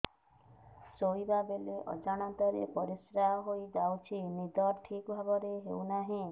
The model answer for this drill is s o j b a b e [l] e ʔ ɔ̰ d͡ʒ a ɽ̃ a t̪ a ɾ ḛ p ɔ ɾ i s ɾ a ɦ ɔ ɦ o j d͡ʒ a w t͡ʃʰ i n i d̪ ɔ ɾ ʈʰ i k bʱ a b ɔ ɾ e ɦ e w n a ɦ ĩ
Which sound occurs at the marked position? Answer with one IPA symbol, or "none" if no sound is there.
l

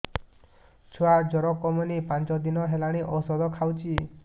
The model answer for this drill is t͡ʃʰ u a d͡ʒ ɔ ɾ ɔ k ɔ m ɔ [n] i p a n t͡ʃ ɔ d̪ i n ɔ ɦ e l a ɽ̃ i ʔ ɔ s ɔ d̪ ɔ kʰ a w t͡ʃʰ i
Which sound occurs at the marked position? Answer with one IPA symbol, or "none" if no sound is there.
n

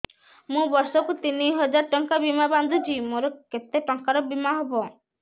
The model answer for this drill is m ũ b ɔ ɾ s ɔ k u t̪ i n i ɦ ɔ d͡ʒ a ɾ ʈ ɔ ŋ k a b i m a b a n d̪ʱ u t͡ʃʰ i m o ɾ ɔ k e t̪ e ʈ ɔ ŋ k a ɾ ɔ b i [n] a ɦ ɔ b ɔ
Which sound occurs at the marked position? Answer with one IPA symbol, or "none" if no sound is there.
m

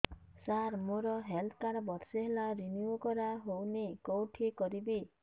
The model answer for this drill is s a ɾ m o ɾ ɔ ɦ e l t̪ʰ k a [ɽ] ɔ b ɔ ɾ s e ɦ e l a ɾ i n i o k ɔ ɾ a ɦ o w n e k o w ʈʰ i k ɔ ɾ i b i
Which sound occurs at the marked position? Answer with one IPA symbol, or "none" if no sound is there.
ɾ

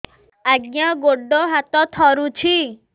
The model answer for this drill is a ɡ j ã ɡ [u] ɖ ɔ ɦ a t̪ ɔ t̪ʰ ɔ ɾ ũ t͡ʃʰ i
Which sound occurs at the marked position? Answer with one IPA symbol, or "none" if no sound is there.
o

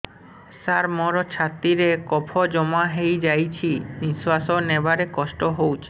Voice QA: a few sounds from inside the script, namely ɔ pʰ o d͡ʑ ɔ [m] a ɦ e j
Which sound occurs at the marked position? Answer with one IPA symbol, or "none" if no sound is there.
m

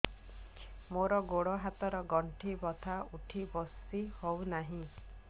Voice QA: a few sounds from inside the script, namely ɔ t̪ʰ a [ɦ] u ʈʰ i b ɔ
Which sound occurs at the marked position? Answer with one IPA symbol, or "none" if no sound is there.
none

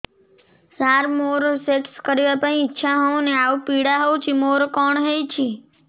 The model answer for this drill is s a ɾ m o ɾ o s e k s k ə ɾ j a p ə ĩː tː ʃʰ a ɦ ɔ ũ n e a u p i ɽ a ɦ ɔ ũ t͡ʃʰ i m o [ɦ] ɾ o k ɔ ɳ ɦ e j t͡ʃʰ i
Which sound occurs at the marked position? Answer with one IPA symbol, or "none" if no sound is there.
none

